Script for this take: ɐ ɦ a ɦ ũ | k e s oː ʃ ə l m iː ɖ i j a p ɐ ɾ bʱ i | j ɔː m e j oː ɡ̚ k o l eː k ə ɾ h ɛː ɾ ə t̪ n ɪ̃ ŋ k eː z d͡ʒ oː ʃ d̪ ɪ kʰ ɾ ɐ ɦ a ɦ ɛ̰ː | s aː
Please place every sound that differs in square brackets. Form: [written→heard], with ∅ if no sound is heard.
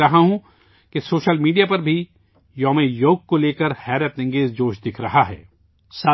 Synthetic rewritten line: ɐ ɦ a ɦ ũ | k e s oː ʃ ə l m iː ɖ i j a p ɐ ɾ bʱ i | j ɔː m e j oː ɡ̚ k o l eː k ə ɾ h ɛː ɾ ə t̪ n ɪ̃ ŋ [k→ɡ] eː z d͡ʒ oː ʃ d̪ ɪ kʰ ɾ ɐ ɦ a ɦ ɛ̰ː | s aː